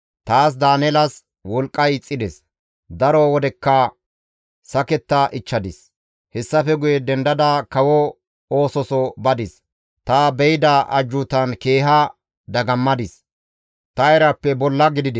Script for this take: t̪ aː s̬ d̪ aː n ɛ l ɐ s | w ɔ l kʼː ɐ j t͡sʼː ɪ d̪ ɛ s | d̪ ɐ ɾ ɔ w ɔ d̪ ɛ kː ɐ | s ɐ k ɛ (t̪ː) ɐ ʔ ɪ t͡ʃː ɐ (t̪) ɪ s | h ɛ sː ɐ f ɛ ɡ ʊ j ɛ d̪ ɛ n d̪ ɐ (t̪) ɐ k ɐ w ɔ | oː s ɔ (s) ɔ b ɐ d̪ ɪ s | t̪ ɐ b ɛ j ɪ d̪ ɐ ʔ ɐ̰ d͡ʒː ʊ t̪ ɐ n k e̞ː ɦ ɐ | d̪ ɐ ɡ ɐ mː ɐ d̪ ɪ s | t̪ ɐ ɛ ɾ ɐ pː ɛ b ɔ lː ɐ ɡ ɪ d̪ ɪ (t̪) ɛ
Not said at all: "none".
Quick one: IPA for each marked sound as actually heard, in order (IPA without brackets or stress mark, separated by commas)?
t̪ː, d̪, d̪, s, d̪